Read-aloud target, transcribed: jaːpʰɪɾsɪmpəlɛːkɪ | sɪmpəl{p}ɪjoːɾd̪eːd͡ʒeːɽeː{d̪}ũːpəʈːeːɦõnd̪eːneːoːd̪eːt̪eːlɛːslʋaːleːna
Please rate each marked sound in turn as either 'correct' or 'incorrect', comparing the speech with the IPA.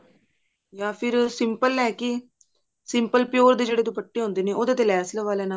correct, incorrect

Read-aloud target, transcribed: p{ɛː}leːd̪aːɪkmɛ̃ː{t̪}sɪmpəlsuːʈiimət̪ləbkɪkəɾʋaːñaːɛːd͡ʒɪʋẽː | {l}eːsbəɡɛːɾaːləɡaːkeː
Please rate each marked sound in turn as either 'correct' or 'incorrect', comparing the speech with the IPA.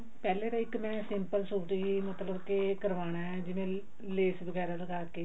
correct, incorrect, correct

